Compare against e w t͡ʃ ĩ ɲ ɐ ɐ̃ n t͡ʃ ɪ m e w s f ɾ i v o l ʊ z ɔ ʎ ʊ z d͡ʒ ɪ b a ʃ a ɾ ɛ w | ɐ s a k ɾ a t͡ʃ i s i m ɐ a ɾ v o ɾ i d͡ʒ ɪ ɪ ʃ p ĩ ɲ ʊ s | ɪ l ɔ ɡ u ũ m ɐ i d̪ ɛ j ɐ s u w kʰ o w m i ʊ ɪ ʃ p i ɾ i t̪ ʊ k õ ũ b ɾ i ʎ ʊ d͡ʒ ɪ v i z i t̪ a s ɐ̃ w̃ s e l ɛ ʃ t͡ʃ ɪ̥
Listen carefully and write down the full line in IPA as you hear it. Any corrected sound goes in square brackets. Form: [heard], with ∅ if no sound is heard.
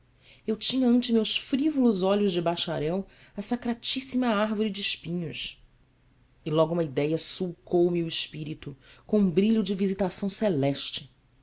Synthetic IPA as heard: e w t͡ʃ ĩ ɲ ɐ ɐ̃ n t͡ʃ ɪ m e w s f ɾ i v o l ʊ z ɔ ʎ ʊ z d͡ʒ ɪ b a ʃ a ɾ ɛ w | ɐ s a k ɾ a t͡ʃ i s i m ɐ a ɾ v o ɾ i d͡ʒ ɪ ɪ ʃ p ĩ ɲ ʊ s | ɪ l ɔ ɡ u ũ m ɐ i d̪ ɛ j ɐ s u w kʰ o w m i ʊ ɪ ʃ p i ɾ i t̪ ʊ k õ ũ b ɾ i ʎ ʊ d͡ʒ ɪ v i z i t̪ a s ɐ̃ w̃ s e l ɛ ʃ t͡ʃ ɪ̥